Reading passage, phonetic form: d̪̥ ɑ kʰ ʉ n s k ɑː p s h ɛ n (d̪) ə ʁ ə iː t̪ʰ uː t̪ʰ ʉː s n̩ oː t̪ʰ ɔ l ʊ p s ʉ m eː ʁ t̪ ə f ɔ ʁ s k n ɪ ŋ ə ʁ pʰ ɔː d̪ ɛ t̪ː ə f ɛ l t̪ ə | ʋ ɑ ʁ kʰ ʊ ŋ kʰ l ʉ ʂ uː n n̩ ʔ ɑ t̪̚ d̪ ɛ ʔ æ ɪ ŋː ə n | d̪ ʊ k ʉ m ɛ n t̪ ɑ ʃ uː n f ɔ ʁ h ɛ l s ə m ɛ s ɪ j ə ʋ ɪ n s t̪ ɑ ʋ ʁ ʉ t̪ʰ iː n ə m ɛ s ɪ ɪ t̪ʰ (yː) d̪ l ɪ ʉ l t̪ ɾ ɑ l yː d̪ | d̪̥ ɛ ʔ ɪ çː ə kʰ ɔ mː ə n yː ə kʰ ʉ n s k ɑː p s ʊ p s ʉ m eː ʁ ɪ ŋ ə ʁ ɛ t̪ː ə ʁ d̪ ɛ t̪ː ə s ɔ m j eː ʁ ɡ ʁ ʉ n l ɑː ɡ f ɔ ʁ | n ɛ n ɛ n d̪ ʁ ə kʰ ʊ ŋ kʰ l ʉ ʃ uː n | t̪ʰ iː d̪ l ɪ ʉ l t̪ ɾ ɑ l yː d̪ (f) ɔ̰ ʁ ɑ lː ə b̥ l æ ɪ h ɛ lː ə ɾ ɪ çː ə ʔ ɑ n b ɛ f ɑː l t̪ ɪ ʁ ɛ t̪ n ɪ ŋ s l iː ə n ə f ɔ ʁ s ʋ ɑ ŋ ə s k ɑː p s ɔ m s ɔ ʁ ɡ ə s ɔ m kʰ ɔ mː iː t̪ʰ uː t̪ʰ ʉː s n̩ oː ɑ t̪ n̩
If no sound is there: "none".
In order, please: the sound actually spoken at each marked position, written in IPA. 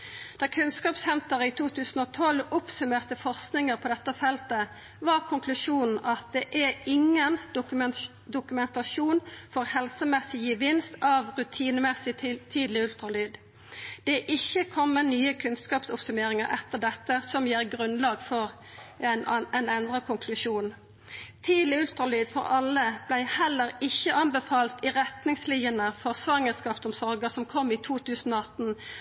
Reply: t̪, iː, f

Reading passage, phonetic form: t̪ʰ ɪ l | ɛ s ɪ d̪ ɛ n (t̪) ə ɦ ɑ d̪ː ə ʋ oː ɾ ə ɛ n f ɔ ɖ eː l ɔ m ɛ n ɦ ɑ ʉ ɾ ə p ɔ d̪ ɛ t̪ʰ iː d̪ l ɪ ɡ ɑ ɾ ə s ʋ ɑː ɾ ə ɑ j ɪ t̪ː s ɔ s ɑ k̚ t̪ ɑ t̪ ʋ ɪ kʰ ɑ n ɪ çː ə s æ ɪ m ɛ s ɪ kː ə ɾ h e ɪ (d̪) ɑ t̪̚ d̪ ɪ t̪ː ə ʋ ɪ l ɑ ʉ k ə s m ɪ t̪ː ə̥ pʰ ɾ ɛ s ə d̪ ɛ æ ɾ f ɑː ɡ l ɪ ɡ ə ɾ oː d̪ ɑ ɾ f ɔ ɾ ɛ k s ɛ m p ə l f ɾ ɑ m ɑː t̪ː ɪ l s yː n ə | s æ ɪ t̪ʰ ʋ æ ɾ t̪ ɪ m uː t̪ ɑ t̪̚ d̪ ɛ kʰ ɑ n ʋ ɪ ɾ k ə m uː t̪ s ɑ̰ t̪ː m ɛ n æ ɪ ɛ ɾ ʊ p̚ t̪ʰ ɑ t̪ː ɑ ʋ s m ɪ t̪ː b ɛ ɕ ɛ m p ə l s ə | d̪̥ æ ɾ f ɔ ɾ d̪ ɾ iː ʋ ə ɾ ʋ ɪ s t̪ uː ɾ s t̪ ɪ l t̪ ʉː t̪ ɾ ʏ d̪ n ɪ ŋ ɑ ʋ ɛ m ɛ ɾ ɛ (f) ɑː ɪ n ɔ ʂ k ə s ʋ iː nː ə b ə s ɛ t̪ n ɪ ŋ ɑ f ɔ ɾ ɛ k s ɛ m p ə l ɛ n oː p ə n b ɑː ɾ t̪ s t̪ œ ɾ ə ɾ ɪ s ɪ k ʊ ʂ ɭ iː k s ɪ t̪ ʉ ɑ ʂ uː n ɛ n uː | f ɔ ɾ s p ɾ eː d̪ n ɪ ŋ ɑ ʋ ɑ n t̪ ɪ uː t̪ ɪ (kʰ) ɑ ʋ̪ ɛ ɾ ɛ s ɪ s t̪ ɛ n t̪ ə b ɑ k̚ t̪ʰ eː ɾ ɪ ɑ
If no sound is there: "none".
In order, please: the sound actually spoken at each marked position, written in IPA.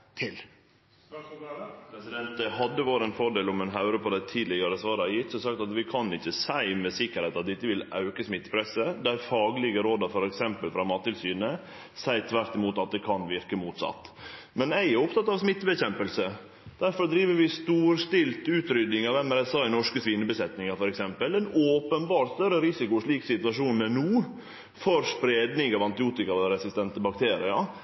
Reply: t̪, t̪, s, k

